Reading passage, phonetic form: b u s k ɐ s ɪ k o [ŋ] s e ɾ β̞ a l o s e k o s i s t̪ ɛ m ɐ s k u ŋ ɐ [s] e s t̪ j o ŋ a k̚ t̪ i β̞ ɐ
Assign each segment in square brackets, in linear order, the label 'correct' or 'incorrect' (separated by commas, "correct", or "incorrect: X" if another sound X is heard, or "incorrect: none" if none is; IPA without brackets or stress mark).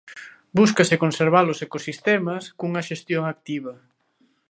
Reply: incorrect: n, incorrect: ʃ